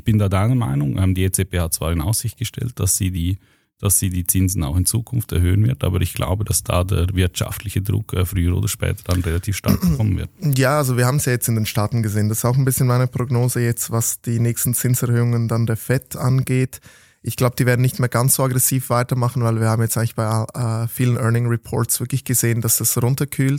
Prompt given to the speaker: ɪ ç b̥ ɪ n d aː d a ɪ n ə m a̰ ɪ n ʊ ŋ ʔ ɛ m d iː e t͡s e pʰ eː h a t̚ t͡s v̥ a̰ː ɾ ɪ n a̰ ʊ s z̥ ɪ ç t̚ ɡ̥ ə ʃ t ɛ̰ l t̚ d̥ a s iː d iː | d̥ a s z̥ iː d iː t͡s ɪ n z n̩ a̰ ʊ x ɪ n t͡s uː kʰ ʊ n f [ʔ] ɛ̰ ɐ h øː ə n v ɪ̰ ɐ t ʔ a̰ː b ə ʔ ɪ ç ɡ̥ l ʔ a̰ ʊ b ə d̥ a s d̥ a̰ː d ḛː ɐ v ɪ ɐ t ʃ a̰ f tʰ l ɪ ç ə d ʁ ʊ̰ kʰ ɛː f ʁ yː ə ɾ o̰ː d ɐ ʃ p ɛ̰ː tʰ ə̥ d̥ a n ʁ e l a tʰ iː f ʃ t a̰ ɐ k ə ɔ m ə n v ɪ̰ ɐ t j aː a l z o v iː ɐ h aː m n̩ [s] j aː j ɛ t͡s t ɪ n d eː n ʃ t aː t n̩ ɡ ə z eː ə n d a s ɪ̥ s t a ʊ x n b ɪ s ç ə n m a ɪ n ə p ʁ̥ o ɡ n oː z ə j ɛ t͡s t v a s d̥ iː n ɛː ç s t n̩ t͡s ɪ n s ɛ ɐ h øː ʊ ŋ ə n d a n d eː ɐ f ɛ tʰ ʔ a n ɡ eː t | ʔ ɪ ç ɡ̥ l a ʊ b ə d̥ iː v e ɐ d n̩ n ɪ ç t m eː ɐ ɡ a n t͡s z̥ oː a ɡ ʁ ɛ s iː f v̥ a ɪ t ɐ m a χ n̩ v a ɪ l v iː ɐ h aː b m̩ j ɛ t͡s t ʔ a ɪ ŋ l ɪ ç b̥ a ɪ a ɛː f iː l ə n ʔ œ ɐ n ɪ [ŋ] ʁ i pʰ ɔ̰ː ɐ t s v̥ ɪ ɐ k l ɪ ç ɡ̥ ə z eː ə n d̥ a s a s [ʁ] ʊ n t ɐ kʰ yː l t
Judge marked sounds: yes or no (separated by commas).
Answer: no, yes, yes, yes